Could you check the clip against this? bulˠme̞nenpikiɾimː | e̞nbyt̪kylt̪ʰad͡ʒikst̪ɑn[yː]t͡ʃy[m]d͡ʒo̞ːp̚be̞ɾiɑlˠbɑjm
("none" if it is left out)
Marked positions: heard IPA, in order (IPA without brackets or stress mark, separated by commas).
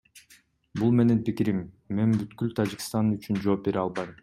y, n